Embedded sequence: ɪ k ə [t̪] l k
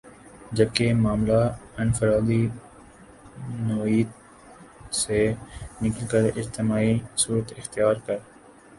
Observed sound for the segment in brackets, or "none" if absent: none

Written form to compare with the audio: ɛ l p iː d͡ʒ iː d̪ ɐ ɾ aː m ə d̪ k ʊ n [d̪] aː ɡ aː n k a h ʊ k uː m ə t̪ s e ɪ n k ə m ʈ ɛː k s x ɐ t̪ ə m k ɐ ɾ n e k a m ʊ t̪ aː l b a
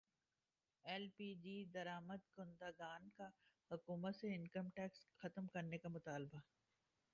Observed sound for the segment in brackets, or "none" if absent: d̪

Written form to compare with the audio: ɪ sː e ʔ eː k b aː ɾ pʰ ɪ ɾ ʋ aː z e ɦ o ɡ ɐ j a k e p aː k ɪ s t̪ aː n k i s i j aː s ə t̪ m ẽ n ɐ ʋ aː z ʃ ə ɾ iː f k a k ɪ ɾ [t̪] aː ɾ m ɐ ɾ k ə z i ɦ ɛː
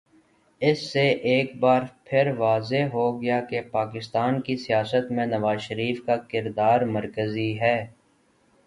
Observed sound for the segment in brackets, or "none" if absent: d̪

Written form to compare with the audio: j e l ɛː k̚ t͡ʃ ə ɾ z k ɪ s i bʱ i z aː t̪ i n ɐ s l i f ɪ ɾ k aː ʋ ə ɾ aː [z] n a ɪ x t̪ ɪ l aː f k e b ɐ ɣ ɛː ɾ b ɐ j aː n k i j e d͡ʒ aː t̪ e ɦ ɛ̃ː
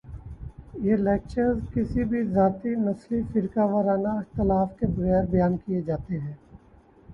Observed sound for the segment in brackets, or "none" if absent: none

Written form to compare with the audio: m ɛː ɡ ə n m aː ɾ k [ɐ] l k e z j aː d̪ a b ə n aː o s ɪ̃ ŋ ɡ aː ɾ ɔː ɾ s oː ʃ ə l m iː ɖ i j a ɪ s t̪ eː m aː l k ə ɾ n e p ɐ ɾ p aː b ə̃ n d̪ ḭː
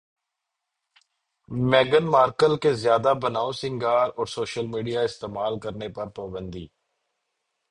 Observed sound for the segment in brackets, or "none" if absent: ə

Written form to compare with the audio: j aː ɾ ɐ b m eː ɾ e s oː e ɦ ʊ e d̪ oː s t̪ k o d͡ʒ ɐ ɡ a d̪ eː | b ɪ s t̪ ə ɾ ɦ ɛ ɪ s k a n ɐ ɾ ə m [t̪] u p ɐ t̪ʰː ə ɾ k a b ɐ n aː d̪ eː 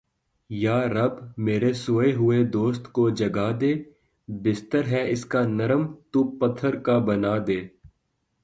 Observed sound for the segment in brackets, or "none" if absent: t̪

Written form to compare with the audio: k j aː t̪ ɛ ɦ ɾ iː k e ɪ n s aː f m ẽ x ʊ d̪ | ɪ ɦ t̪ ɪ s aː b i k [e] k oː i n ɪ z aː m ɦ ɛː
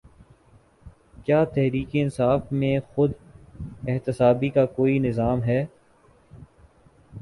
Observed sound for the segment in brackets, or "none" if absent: a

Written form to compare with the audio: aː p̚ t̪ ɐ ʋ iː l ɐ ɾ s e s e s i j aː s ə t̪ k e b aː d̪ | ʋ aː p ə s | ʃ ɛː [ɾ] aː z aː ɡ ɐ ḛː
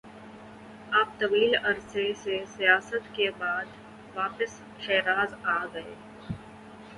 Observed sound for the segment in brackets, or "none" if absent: ɾ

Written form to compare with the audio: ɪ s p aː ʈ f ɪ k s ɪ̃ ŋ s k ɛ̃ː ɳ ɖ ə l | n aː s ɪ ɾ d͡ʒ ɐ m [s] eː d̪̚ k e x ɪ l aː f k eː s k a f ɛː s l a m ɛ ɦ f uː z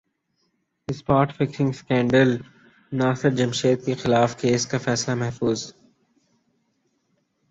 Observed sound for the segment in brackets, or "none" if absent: ʃ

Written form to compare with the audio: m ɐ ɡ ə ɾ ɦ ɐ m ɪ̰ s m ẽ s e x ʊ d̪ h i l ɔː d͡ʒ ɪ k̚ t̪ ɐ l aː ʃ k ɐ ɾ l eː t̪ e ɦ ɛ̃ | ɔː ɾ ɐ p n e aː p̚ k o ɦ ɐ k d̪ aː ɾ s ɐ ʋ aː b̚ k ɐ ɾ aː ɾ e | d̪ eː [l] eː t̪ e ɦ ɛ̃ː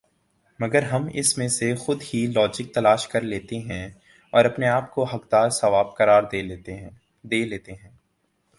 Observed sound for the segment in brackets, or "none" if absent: l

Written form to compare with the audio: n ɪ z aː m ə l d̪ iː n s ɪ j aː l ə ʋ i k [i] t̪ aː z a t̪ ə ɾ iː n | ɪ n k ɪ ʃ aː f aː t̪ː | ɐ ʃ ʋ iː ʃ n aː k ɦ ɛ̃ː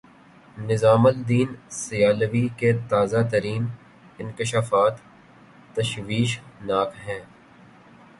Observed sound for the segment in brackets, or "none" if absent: e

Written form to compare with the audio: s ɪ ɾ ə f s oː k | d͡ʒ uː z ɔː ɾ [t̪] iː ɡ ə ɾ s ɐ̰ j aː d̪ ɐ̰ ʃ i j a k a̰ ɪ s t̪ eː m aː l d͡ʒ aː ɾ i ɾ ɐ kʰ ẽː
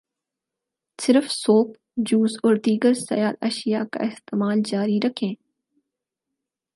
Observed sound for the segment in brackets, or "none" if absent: d̪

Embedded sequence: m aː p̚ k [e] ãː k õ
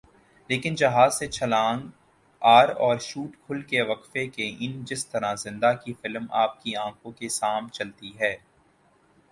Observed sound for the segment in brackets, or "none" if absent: i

